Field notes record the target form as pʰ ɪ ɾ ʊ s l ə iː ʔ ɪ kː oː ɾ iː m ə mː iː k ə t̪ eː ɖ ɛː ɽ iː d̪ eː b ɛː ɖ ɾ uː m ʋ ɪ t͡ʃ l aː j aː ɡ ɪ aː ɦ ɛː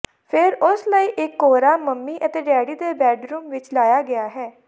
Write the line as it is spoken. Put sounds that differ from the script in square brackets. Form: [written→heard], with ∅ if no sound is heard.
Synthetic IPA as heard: pʰ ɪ ɾ ʊ s l ə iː ʔ ɪ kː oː ɾ [iː→aː] m ə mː iː [k→ʔ] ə t̪ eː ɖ ɛː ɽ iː d̪ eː b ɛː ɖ ɾ uː m ʋ ɪ t͡ʃ l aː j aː ɡ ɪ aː ɦ ɛː